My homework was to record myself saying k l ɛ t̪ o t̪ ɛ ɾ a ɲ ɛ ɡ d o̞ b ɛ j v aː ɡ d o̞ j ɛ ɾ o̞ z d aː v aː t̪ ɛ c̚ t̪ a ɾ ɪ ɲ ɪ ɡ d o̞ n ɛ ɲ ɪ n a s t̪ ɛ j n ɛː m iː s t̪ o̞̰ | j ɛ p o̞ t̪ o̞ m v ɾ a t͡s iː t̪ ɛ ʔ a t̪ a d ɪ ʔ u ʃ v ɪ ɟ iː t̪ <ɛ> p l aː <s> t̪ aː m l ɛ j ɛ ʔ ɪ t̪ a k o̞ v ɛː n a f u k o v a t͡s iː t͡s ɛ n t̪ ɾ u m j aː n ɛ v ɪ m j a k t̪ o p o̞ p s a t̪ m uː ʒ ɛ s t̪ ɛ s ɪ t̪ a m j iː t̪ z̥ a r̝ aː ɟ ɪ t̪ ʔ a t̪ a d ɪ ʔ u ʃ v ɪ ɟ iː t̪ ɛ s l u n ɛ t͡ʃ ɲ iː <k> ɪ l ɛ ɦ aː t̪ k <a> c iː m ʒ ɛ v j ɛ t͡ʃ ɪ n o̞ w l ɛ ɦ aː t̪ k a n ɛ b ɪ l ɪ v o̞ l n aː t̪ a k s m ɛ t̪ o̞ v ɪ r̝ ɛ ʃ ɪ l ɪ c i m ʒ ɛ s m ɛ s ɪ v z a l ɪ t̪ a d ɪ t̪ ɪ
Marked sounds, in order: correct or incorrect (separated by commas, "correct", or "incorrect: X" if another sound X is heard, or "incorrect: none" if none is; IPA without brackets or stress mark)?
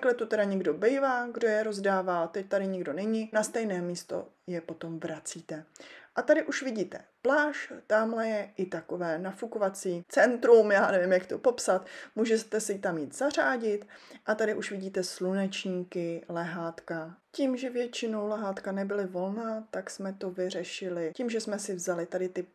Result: correct, incorrect: ʃ, correct, correct